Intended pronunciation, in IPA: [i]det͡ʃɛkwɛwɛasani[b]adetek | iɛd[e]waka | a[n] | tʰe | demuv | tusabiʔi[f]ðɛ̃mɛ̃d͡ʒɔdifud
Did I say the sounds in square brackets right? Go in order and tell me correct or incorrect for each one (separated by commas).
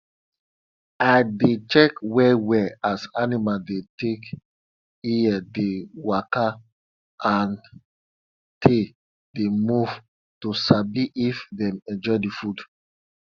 incorrect, incorrect, correct, correct, correct